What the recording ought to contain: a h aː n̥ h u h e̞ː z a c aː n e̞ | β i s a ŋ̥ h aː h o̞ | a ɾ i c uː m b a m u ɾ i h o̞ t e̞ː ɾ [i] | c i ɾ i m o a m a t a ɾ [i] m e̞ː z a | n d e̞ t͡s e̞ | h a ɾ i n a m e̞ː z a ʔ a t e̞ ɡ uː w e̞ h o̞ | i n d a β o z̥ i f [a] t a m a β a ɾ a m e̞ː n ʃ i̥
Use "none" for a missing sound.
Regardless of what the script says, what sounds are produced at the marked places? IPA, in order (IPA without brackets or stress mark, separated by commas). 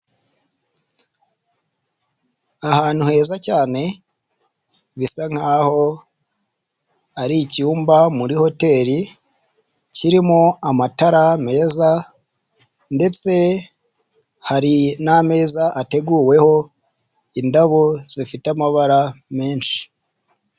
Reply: i, a, i